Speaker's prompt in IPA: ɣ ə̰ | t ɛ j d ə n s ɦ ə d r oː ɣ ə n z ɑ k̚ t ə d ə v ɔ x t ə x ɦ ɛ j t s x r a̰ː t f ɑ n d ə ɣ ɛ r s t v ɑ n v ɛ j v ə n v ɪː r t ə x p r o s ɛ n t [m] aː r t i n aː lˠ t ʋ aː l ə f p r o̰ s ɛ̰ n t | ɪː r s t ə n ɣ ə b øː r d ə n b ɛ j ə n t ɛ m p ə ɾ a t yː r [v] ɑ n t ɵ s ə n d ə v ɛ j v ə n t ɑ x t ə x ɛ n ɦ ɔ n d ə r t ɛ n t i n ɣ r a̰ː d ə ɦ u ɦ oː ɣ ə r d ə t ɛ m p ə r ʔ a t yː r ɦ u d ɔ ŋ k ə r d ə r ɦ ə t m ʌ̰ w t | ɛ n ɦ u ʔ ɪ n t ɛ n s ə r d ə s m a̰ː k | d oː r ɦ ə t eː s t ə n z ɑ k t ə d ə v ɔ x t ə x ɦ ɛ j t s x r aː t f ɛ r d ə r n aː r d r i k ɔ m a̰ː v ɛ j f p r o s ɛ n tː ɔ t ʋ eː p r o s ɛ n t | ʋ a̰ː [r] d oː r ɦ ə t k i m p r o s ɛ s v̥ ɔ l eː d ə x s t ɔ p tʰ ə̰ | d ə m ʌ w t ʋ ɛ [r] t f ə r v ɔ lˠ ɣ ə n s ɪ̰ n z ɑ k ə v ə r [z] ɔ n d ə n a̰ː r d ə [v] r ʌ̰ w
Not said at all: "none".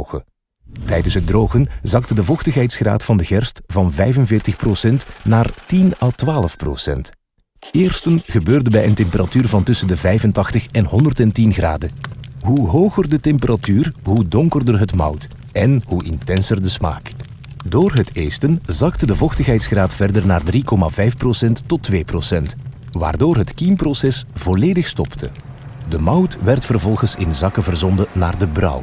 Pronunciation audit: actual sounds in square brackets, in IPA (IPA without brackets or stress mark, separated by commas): n, v, r, r, z, b